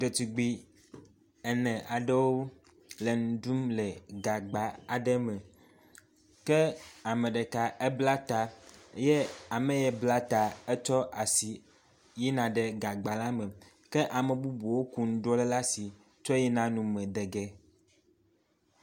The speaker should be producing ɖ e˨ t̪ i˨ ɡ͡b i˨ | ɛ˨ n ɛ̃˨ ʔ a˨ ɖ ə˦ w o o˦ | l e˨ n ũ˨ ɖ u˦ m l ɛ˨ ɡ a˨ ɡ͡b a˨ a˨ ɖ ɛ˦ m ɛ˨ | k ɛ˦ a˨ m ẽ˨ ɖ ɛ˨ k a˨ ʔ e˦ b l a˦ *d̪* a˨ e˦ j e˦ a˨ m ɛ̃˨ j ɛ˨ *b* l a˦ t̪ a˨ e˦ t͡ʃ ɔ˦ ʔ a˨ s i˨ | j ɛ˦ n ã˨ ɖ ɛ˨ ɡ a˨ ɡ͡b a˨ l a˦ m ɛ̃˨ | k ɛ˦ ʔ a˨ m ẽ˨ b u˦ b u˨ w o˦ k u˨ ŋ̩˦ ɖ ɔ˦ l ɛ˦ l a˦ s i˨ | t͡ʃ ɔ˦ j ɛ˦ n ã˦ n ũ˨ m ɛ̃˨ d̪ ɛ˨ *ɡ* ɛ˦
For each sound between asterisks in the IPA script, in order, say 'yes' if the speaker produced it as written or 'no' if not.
no, yes, yes

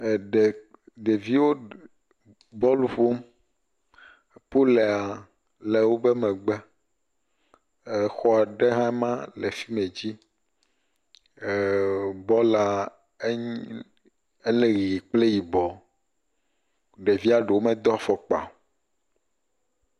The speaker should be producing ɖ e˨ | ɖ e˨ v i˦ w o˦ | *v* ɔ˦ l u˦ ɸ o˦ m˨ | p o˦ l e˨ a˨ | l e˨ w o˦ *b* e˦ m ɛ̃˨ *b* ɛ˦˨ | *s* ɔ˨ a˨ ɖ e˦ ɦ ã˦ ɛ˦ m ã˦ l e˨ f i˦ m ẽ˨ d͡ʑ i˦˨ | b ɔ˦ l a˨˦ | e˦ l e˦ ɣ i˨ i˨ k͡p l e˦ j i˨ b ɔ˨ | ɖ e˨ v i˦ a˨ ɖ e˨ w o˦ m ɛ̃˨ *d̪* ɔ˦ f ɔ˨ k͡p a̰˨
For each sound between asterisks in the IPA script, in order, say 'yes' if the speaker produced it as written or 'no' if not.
no, yes, no, no, yes

